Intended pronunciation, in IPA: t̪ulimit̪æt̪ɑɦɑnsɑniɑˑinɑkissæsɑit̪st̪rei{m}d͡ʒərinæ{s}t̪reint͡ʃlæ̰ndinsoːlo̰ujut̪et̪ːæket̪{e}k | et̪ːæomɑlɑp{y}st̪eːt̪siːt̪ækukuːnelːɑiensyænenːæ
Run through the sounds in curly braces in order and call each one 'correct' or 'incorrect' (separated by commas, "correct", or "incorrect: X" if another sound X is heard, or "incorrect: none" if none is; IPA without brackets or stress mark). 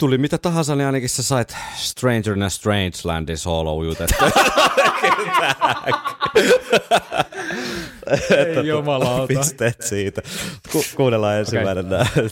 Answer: incorrect: n, correct, incorrect: æ, incorrect: i